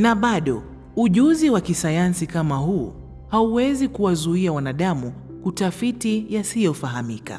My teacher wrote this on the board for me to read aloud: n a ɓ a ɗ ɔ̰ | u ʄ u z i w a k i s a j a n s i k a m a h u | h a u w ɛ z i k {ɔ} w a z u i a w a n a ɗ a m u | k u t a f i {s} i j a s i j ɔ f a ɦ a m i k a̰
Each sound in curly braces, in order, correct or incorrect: incorrect, incorrect

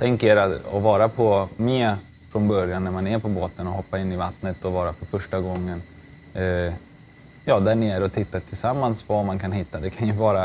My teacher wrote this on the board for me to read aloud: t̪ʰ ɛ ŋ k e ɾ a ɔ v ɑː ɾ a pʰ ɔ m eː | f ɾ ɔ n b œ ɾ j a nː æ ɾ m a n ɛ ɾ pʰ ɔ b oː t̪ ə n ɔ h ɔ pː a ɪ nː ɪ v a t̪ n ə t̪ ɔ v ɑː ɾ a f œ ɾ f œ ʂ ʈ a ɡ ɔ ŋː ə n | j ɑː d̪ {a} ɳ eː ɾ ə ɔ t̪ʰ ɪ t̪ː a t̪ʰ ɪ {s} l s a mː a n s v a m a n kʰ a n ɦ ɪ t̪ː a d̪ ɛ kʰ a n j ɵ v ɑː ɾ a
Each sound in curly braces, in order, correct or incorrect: incorrect, incorrect

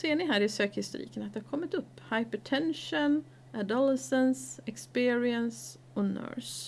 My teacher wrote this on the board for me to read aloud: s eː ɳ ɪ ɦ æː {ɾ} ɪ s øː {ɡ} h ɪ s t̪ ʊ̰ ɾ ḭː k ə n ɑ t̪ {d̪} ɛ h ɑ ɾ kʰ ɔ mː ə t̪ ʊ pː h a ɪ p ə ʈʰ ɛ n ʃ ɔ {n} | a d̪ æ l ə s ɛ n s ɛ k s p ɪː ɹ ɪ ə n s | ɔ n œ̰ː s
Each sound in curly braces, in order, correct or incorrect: correct, incorrect, correct, correct

